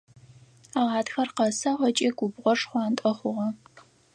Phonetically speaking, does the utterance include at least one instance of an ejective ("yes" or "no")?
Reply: yes